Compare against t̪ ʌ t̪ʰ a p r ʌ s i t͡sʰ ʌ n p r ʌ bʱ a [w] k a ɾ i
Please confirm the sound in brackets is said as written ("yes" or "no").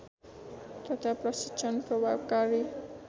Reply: no